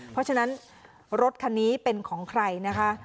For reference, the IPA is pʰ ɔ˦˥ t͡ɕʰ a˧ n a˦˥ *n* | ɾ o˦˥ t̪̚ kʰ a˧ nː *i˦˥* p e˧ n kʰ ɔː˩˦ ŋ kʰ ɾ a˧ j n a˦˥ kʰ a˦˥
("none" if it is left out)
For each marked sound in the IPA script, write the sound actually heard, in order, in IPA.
n, iː˦˥

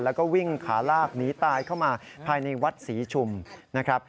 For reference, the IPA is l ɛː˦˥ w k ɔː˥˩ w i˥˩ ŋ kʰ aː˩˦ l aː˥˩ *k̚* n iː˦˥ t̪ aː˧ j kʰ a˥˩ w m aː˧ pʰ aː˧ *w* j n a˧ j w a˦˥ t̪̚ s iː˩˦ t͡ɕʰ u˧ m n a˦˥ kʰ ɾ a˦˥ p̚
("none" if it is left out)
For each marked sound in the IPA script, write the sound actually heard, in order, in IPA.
k̚, none

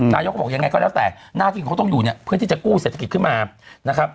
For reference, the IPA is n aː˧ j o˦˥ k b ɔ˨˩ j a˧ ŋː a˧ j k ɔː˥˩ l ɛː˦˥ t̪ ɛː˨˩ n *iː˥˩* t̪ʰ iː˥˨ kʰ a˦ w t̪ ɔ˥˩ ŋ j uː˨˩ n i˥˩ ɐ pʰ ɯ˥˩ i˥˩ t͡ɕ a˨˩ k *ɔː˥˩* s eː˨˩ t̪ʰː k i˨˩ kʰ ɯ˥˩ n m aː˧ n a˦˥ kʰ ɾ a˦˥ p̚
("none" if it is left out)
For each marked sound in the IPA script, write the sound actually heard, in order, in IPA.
aː˥˩, uː˥˩

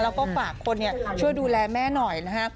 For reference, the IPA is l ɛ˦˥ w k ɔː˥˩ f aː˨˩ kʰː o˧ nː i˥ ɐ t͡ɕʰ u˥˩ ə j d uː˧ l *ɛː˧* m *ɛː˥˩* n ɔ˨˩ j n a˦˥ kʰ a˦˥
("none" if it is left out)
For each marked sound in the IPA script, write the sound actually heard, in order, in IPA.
ɛː˧, ɛː˥˩

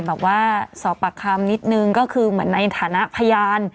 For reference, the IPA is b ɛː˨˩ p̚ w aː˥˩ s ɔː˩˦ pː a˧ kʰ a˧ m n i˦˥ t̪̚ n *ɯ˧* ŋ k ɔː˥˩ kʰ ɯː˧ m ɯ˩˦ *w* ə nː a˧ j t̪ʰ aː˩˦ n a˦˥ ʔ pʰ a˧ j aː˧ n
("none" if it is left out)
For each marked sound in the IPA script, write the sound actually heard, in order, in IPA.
ɯ˧, none

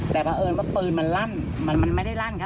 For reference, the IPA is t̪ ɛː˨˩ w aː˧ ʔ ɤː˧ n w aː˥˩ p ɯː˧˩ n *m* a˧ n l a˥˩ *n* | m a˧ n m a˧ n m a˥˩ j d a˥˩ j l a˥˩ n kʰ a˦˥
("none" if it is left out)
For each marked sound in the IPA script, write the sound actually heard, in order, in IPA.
m, n

